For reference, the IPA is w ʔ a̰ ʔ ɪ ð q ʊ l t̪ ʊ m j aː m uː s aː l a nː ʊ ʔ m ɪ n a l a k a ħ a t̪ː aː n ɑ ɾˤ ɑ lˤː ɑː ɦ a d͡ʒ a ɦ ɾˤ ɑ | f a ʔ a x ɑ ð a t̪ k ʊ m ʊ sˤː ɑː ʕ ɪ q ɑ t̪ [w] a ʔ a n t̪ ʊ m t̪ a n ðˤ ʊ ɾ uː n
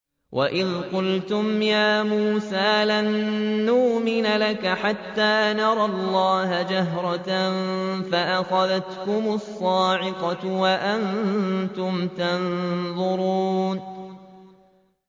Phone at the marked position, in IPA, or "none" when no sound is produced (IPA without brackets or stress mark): w